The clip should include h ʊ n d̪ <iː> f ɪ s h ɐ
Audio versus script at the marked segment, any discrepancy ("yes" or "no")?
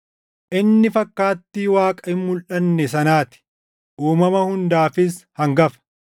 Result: yes